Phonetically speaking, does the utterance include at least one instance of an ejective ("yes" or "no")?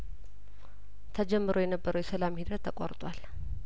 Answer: yes